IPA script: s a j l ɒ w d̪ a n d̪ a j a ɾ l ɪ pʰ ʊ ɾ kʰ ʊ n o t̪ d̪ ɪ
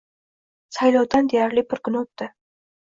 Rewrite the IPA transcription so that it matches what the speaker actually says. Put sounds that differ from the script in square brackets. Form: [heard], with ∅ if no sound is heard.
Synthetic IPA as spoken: s a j l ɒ w d̪ a n d̪ [e] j a ɾ l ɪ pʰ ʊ ɾ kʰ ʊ n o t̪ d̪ ɪ